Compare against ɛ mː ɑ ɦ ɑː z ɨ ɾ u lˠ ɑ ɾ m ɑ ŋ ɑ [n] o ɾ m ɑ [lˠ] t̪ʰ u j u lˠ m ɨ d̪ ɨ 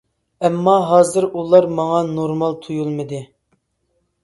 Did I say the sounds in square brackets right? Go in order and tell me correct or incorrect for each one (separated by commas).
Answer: correct, correct